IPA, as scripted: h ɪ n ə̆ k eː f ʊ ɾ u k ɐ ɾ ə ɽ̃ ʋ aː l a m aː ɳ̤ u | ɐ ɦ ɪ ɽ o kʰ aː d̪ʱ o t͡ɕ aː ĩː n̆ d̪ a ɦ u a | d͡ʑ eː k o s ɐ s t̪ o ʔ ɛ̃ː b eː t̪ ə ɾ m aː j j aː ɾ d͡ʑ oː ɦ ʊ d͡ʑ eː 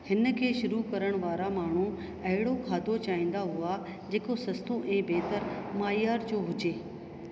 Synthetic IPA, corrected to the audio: h ɪ n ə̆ kʰ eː ʃ ʊ ɾ u k ɐ ɾ ə ɽ̃ ʋ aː ɾ a m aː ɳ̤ u | ɐ ɦ ɪ ɽ o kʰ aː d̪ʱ o t͡ɕ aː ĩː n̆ d̪ a ɦ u a | d͡ʑ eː k o s ɐ s t̪ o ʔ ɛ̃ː b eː t̪ ə ɾ m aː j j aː ɾ d͡ʑ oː ɦ ʊ d͡ʑ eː